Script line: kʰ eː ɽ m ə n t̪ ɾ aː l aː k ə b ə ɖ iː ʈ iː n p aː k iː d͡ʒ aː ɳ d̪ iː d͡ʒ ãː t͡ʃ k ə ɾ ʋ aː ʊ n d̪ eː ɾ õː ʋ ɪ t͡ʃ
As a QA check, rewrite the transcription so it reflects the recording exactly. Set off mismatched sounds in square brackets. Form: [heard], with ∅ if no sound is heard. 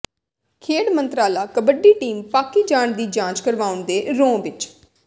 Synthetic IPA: kʰ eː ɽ m ə n t̪ ɾ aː l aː k ə b ə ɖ iː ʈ iː [m] p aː k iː d͡ʒ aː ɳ d̪ iː d͡ʒ ãː t͡ʃ k ə ɾ ʋ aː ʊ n d̪ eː ɾ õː ʋ ɪ t͡ʃ